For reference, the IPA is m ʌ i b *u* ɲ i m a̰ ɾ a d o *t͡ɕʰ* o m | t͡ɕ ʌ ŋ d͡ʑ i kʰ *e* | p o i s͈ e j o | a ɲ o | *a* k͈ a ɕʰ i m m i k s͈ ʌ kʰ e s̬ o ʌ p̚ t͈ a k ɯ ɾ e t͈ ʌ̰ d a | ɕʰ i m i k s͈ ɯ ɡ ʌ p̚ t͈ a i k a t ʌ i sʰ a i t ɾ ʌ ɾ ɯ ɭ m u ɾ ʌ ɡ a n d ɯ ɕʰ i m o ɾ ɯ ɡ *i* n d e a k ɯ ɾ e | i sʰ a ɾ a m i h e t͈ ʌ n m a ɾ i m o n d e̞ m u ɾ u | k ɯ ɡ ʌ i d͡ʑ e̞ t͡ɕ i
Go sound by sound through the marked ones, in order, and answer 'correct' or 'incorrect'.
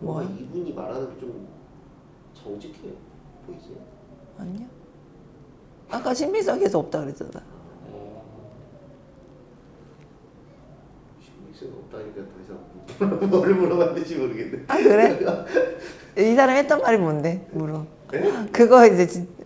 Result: correct, incorrect, correct, correct, incorrect

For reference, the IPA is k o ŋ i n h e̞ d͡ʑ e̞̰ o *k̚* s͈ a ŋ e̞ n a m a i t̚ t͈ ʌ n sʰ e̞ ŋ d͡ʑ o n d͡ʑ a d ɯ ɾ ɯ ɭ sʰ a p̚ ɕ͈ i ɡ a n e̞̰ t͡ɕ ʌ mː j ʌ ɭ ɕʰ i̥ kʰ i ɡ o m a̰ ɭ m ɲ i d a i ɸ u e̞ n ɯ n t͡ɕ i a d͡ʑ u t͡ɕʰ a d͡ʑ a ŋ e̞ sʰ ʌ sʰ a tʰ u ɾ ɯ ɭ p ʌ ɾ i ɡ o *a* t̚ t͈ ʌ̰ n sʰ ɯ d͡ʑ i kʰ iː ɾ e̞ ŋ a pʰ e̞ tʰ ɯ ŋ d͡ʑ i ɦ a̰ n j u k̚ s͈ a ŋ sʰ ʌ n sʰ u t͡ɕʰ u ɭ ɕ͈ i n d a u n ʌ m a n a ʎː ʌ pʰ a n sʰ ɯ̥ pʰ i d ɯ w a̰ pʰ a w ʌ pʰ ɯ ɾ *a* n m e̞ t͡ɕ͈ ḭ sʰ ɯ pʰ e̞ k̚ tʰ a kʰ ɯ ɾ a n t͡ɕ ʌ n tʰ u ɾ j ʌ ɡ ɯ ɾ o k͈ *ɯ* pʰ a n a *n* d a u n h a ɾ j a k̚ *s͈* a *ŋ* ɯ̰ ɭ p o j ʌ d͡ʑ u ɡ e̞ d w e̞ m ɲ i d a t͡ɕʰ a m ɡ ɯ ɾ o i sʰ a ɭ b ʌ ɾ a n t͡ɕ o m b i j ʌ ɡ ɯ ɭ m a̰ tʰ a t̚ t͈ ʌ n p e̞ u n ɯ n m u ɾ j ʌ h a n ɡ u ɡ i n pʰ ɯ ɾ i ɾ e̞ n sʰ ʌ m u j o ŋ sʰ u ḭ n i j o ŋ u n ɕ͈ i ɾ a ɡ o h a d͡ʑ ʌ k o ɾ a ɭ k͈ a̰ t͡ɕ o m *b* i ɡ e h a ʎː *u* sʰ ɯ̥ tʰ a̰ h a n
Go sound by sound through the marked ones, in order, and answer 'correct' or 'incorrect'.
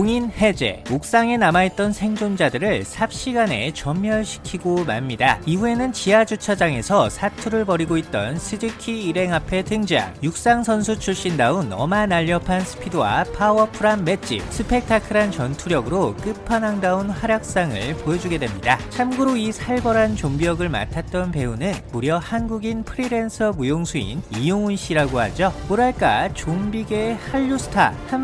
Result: correct, incorrect, correct, correct, incorrect, correct, correct, correct, correct

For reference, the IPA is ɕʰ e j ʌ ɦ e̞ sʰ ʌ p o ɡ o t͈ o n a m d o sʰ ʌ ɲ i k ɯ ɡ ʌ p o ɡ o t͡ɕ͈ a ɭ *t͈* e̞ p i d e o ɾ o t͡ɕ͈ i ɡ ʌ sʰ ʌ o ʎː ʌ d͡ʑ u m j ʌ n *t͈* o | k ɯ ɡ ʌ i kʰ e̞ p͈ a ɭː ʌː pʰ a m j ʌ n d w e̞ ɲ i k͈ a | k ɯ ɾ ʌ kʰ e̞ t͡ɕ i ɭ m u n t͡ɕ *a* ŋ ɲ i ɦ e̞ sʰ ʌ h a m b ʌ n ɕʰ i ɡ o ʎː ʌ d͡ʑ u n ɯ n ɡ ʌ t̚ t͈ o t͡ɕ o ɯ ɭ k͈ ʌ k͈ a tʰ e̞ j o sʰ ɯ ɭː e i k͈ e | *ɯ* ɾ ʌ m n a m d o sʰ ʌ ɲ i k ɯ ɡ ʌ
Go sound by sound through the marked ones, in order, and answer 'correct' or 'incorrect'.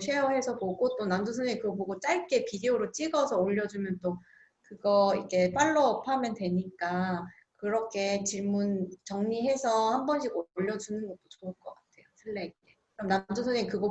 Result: incorrect, correct, incorrect, correct

